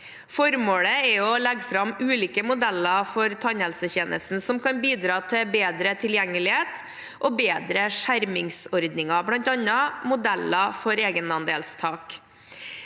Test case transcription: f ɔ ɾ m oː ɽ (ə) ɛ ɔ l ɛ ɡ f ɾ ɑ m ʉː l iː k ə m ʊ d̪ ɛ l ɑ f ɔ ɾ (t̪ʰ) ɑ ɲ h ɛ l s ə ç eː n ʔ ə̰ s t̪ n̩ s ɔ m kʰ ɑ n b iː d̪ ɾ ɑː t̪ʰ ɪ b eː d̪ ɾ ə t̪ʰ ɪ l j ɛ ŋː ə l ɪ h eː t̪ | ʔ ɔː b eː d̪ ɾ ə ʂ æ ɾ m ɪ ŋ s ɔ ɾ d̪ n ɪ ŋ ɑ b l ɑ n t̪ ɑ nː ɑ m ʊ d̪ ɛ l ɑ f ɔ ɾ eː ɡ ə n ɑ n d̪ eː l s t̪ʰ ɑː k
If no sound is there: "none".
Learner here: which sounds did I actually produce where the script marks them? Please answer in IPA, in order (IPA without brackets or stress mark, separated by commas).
ə, t̪ʰ